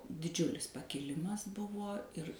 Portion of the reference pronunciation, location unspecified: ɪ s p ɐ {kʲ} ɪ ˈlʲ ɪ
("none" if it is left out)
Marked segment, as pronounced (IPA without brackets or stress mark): kʲ